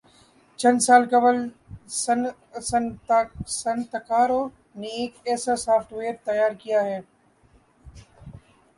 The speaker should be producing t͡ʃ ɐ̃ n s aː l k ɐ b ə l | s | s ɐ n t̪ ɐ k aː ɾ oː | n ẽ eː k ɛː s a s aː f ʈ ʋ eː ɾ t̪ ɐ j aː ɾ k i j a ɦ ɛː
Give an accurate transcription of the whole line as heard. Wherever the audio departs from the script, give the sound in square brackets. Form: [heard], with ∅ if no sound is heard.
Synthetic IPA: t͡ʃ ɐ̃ n s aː l k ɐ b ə l | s | s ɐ n t̪ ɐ k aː ɾ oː | n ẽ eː k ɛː s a s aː f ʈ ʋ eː ɾ t̪ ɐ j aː ɾ k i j a ɦ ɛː

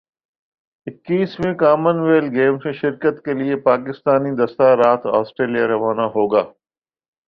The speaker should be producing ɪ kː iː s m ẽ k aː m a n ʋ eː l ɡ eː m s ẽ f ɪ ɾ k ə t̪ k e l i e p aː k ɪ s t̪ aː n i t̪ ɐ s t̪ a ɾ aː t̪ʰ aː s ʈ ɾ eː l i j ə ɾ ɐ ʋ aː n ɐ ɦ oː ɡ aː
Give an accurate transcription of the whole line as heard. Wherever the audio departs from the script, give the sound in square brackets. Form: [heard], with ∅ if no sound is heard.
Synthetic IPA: ɪ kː iː s m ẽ k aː m [ə] n ʋ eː l ɡ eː m s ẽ [ʃ] ɪ ɾ k ə t̪ k e l i e p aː k ɪ s t̪ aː n i [d̪] ɐ s t̪ a ɾ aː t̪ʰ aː s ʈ ɾ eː l i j [a] ɾ ɐ ʋ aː n [a] ɦ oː ɡ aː

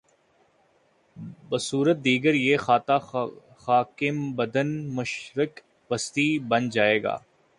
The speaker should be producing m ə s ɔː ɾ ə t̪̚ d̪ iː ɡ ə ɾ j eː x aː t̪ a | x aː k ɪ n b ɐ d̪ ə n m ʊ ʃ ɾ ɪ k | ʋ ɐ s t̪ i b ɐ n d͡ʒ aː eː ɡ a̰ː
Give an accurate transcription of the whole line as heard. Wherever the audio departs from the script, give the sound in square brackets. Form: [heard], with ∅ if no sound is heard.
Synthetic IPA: [b] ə s [uː] ɾ ə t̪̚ d̪ iː ɡ ə ɾ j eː x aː t̪ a | x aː k ɪ [m] b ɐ d̪ ə n m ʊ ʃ ɾ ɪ k | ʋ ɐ s t̪ i b ɐ n d͡ʒ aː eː ɡ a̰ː

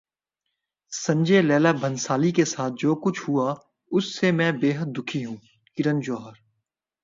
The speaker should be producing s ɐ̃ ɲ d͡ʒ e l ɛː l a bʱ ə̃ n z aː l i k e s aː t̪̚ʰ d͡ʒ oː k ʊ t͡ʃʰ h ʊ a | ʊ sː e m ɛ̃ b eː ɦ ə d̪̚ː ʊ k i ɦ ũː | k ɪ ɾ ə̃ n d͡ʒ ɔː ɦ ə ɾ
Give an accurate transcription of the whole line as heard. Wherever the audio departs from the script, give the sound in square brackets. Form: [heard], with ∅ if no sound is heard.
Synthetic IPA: s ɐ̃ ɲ d͡ʒ e l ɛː l a bʱ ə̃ n [s] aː l i k e s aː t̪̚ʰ d͡ʒ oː k ʊ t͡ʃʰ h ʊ a | ʊ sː e m ɛ̃ b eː ɦ ə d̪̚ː ʊ [kʰ] i ɦ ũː | k ɪ ɾ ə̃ n d͡ʒ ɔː ɦ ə ɾ

